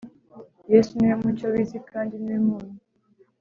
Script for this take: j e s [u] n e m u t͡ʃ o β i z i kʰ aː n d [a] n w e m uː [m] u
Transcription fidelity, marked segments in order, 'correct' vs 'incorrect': correct, incorrect, incorrect

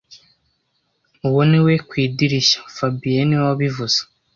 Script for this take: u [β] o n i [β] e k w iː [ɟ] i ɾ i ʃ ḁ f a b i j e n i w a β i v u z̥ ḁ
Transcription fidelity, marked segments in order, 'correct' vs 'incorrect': incorrect, incorrect, incorrect

